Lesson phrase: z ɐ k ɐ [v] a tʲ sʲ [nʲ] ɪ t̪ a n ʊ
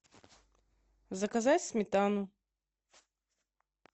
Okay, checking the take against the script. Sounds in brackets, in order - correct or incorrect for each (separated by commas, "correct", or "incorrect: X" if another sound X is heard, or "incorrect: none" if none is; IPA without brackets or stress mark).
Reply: incorrect: z, incorrect: mʲ